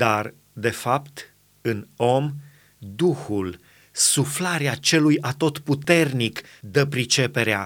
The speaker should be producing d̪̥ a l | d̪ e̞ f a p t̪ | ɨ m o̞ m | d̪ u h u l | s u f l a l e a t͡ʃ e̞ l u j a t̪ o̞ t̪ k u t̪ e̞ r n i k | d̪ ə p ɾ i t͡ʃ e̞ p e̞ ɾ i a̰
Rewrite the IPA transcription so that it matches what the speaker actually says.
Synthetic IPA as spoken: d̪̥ a r | d̪ e̞ f a p t̪ | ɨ n o̞ m | d̪ u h u l | s u f l a ɾ e a t͡ʃ e̞ l u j a t̪ o̞ t̪ p u t̪ e̞ r n i k | d̪ ə p ɾ i t͡ʃ e̞ p e̞ ɾ e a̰